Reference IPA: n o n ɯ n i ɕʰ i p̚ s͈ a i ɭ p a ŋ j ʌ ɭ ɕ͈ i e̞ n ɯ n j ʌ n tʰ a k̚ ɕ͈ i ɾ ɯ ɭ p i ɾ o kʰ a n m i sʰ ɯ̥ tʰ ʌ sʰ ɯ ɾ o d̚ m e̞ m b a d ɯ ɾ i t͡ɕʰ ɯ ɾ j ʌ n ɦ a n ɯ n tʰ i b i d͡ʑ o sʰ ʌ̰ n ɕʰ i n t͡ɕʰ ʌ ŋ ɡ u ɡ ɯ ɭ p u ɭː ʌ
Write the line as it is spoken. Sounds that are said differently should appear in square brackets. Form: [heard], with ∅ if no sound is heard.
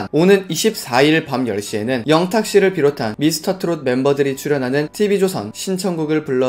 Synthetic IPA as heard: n o n ɯ n i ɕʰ i p̚ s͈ a i ɭ p a [m] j ʌ ɭ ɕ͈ i e̞ n ɯ n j ʌ [ŋ] tʰ a k̚ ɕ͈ i ɾ ɯ ɭ p i ɾ o [tʰ] a n m i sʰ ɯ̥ tʰ ʌ [tʰ] ɯ ɾ o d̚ m e̞ m b [ʌ] d ɯ ɾ i t͡ɕʰ [u] ɾ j ʌ n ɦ a n ɯ n tʰ i b i d͡ʑ o sʰ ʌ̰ n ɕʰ i n t͡ɕʰ ʌ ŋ ɡ u ɡ ɯ ɭ p u ɭː ʌ